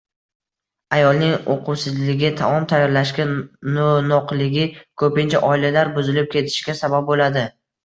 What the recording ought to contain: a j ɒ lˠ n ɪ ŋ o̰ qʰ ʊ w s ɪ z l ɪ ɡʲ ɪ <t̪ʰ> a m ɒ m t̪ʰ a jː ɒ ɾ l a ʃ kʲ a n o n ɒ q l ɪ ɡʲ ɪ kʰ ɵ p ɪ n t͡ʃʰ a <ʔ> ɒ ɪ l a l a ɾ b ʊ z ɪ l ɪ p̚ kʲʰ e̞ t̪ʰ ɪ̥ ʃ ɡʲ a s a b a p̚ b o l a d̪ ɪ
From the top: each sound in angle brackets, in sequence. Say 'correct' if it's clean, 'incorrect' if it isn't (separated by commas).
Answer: correct, correct